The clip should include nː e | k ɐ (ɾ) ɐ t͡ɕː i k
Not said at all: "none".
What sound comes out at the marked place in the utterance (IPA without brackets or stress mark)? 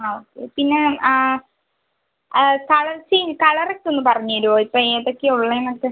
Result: ɭ